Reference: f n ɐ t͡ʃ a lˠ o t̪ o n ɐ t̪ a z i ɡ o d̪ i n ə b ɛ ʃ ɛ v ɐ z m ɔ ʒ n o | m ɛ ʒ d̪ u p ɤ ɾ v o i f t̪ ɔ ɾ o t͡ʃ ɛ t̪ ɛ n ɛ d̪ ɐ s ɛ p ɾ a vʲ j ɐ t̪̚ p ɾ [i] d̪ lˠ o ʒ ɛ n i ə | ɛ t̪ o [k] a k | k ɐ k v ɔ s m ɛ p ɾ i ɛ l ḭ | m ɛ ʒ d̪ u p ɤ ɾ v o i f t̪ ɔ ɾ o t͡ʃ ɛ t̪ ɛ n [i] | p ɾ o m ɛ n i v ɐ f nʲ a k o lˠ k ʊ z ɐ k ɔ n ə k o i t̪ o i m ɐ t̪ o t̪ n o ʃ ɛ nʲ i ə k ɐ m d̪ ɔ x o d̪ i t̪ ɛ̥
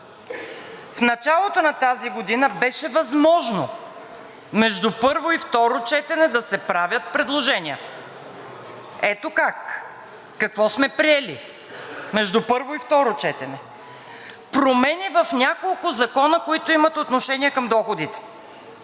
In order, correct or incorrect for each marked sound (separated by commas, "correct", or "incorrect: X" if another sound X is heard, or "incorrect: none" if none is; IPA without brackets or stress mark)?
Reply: incorrect: ɛ, correct, incorrect: ɛ